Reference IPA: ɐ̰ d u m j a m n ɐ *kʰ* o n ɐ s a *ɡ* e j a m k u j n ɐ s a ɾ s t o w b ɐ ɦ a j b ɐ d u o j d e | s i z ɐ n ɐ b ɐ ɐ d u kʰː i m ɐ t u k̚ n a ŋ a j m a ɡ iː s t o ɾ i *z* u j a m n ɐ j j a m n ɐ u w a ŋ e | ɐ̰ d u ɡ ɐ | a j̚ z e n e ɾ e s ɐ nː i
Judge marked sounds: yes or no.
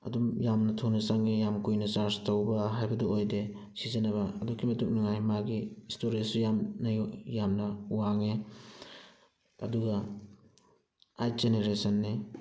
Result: no, no, no

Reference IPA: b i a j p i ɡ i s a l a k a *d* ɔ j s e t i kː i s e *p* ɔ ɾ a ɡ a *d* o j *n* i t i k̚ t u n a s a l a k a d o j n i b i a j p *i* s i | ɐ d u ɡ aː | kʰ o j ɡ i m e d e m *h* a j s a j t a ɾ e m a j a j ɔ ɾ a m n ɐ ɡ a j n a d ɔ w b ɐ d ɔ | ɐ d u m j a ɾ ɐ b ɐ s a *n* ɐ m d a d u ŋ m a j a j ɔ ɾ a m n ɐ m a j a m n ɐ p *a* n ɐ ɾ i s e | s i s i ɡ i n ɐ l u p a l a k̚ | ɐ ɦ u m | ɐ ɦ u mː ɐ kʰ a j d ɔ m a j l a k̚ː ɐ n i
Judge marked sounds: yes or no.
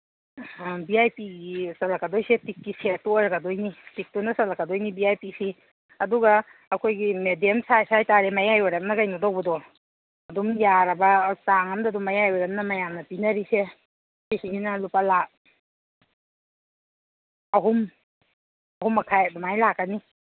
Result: yes, no, yes, yes, yes, no, no, no

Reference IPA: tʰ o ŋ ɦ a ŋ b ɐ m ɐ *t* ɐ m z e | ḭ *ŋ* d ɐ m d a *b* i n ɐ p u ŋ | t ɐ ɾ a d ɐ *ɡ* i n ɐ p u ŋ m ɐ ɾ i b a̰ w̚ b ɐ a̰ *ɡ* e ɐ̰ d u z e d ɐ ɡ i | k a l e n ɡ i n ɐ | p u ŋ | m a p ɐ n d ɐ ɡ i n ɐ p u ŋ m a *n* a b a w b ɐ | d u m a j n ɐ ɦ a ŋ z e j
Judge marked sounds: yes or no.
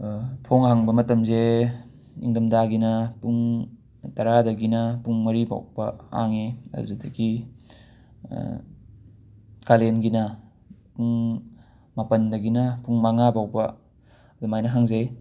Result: yes, yes, no, yes, no, no

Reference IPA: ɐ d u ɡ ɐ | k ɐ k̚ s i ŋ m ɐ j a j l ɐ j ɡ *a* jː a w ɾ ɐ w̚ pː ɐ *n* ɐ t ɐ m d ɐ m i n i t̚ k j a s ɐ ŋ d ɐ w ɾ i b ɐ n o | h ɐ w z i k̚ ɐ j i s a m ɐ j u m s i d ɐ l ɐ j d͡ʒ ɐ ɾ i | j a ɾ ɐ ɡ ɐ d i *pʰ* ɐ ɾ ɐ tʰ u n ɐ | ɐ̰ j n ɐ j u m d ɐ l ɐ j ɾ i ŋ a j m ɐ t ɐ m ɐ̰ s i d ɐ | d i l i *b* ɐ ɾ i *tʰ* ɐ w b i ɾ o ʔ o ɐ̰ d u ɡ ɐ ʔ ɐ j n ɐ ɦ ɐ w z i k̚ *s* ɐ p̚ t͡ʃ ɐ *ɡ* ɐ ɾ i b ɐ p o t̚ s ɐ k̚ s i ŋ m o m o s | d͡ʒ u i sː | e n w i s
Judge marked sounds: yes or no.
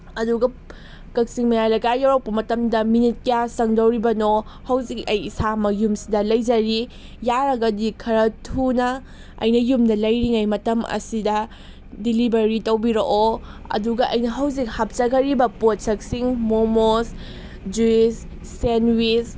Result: yes, no, no, yes, no, no, yes

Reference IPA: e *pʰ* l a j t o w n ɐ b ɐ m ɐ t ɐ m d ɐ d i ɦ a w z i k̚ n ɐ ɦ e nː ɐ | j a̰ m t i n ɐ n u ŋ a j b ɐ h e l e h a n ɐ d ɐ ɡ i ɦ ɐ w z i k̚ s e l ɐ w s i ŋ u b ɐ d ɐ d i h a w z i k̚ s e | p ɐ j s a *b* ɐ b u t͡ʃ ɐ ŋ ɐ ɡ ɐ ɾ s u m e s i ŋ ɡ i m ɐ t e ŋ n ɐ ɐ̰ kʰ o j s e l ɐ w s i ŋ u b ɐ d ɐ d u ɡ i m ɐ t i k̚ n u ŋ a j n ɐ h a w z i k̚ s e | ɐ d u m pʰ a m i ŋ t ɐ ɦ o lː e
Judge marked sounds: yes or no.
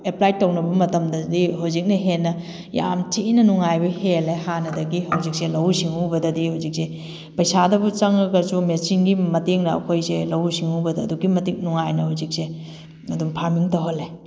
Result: no, no

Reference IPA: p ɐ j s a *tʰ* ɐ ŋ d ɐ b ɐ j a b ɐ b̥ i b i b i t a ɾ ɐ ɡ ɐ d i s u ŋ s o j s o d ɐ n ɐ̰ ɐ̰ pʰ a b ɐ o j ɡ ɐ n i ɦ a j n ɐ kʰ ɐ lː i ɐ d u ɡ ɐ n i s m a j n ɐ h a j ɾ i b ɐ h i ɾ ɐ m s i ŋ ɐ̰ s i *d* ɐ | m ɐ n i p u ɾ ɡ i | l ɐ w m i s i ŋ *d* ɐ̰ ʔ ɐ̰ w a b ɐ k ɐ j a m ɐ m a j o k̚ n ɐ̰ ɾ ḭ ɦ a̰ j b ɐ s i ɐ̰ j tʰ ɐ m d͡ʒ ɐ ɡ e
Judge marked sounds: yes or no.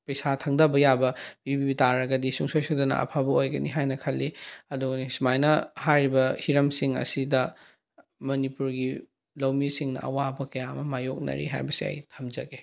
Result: yes, yes, no

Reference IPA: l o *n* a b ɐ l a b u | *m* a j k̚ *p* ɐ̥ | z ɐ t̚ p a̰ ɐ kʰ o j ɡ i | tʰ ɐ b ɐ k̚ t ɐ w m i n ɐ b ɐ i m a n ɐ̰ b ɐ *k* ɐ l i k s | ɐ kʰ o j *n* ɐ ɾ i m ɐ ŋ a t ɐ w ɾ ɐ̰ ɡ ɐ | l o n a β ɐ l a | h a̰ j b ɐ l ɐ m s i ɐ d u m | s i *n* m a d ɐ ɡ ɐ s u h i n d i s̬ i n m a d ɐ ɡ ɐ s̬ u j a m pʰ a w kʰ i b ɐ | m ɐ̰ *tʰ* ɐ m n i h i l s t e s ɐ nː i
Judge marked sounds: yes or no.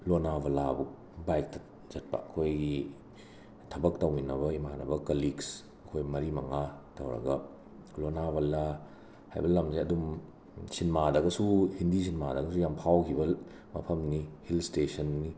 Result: yes, no, no, yes, no, yes, no

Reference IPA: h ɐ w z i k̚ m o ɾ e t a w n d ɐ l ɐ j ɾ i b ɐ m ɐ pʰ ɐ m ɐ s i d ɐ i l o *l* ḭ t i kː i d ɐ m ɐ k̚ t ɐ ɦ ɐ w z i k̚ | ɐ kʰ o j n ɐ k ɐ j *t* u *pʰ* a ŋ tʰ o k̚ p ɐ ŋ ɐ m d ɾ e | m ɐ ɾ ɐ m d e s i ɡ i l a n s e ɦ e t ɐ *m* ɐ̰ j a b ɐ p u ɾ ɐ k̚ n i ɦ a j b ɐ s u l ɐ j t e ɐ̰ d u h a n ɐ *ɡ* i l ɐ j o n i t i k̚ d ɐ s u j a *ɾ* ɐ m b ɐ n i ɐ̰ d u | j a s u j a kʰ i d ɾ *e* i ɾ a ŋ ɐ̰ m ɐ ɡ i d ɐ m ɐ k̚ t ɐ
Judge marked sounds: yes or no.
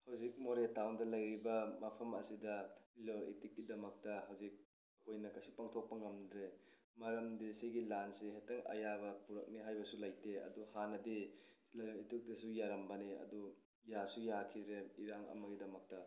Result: no, no, no, no, no, yes, yes

